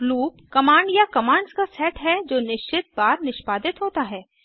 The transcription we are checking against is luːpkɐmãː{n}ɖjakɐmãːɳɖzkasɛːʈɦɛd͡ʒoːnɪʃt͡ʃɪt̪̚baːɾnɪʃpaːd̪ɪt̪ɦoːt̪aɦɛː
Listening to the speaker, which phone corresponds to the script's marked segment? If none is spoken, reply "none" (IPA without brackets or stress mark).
ɳ